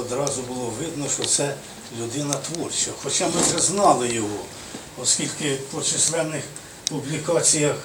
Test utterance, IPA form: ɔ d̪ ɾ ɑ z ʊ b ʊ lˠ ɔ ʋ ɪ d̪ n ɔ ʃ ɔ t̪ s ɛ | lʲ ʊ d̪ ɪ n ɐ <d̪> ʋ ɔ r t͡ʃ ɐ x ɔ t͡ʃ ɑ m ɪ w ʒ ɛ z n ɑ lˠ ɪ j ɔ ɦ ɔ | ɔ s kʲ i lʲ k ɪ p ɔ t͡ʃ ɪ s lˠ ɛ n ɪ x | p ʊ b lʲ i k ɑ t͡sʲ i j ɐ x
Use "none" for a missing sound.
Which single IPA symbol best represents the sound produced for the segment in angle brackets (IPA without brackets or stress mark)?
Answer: t̪